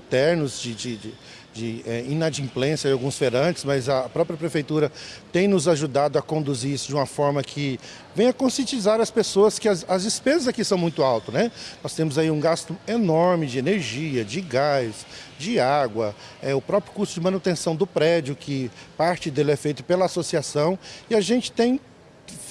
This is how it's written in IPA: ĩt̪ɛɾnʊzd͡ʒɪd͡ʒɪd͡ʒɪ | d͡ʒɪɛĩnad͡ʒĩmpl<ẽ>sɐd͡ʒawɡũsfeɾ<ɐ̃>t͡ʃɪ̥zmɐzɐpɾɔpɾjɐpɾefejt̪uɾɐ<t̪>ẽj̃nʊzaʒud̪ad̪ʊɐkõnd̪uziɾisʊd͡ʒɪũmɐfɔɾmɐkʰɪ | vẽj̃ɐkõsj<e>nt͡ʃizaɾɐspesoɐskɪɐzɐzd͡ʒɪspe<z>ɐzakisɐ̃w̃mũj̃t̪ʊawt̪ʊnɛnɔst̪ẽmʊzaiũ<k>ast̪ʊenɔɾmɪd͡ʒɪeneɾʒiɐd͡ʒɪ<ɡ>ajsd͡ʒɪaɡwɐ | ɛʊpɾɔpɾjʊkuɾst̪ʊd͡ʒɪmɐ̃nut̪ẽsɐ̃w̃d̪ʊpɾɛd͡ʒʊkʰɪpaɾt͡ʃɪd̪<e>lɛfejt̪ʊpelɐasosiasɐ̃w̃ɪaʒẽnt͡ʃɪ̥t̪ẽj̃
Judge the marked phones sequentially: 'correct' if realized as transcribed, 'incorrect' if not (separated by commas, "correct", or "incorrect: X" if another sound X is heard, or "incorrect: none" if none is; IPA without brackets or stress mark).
correct, correct, correct, incorrect: ẽ, correct, incorrect: ɡ, correct, correct